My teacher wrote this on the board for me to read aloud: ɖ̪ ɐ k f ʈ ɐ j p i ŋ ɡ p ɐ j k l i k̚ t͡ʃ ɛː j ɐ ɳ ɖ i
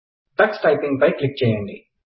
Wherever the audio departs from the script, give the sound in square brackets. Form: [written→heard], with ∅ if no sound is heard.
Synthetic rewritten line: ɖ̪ ɐ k [f→s] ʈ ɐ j p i ŋ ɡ p ɐ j k l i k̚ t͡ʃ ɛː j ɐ ɳ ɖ i